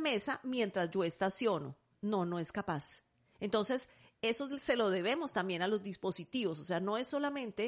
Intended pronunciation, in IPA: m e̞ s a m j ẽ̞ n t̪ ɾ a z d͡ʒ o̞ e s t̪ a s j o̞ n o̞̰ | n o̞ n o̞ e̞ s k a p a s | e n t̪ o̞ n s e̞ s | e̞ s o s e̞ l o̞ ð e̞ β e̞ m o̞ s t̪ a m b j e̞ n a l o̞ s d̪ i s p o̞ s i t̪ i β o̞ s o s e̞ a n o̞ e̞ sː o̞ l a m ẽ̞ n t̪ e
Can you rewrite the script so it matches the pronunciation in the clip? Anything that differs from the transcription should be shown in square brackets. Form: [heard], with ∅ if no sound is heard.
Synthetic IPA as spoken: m e̞ s a m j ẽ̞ n t̪ ɾ a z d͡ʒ o̞ e s t̪ a s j o̞ n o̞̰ | n o̞ n o̞ e̞ s k a p a s | e n t̪ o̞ n s e̞ s | e̞ s o s e̞ l o̞ ð e̞ β e̞ m o̞ s t̪ a m b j e̞ n a l o̞ [z] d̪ i s p o̞ s i t̪ i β o̞ s o s e̞ a n o̞ e̞ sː o̞ l a m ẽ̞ n t̪ e